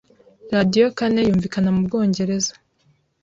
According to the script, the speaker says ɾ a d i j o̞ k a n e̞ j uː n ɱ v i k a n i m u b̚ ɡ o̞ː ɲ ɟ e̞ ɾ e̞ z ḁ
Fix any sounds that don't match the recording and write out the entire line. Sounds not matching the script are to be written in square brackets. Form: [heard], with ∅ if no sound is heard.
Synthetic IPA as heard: ɾ a d i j o̞ k a n e̞ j uː [∅] ɱ v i k a n [a] m u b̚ ɡ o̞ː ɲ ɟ e̞ ɾ e̞ z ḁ